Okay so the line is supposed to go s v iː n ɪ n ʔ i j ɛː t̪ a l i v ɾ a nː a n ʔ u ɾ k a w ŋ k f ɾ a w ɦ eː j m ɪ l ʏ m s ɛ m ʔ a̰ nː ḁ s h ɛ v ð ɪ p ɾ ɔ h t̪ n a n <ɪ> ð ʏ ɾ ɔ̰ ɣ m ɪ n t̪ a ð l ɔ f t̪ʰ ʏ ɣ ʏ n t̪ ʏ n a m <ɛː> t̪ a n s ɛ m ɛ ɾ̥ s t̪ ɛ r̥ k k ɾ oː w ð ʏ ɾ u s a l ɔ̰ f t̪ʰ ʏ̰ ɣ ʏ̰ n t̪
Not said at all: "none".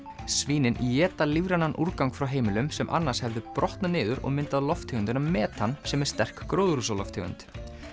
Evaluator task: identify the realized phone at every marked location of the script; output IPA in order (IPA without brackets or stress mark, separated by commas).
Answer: ɪː, ɛː